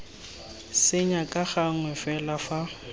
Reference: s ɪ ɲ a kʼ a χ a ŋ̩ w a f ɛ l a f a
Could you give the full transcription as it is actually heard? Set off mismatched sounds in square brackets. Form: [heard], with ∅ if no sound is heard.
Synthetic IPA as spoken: s ɪ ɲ a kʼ a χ a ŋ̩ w [ɛ] f ɛ l a f a

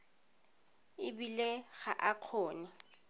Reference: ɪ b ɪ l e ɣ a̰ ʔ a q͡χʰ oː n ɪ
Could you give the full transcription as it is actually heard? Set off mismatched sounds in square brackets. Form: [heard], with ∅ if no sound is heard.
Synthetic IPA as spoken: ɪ b [i] l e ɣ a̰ ʔ a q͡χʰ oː n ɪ

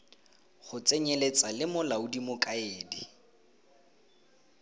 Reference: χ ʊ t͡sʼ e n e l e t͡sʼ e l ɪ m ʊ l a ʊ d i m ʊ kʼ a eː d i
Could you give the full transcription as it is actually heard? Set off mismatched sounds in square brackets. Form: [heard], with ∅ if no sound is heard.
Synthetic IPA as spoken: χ ʊ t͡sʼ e [ɲ] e l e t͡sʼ [a] l ɪ m ʊ l a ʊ d i m ʊ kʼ a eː d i

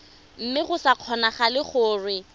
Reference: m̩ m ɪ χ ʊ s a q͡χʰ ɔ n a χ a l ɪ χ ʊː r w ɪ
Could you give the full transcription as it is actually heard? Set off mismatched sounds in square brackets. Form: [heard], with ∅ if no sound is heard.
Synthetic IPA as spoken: m̩ m ɪ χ ʊ s a q͡χʰ ɔ n a χ a l ɪ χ ʊː r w ɪ

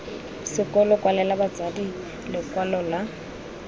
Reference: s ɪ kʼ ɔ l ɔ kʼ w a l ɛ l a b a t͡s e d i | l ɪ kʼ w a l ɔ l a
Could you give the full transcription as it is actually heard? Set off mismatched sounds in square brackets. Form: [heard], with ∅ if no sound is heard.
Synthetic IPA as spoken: s ɪ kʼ ɔ l ɔ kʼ w a l ɛ l a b a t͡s [a] d i | l ɪ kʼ w a l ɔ l a

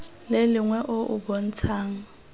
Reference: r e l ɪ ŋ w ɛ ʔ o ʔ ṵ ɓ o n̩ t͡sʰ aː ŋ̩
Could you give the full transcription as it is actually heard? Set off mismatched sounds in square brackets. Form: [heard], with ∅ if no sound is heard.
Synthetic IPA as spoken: [l] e l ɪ ŋ w ɛ ʔ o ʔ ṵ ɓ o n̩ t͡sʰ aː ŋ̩

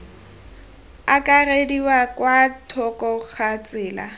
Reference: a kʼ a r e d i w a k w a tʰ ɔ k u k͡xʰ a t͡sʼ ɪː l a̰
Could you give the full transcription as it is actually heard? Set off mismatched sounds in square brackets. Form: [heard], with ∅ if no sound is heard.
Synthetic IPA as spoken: a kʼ a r e d i w a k w a tʰ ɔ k [ɔ] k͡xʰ a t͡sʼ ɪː l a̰

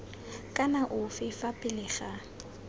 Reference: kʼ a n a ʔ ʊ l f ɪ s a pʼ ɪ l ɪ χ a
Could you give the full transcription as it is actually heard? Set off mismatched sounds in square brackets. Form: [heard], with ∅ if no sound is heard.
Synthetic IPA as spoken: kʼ a n a ʔ ʊ [∅] f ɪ [f] a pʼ ɪ l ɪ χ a

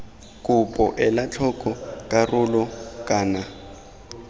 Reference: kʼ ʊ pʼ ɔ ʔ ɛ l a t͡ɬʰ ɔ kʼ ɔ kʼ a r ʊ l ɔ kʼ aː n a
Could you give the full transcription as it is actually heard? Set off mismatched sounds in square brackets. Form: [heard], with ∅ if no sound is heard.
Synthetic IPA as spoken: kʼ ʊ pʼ ɔ ʔ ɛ l a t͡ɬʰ ɔ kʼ ɔ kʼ a r ʊ l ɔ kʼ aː n a

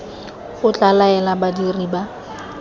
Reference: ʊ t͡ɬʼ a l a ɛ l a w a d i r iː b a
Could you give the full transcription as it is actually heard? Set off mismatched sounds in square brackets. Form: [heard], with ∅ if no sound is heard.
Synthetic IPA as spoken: ʊ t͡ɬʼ a l a ɛ l a [b] a d i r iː b a

